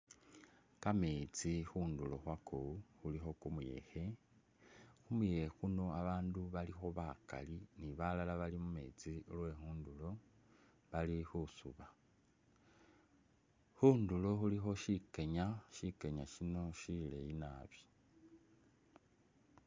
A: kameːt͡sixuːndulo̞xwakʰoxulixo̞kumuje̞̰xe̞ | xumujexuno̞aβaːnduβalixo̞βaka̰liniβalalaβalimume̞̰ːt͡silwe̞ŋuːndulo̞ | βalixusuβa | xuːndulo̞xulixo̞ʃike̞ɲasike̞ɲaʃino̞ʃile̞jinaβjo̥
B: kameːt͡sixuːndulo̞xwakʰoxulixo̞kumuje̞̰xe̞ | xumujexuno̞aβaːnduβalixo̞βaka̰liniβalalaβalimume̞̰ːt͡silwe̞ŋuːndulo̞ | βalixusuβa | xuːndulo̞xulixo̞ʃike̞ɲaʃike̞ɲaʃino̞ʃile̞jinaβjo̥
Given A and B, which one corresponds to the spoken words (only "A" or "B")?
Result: B